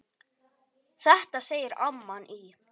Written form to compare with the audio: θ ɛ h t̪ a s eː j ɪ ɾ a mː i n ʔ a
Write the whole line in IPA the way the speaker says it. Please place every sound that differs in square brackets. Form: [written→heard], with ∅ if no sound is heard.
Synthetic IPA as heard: θ ɛ h t̪ a s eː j ɪ ɾ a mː [i→a] n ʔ [a→i]